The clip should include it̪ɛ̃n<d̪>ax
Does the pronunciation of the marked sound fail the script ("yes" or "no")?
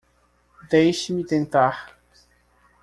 yes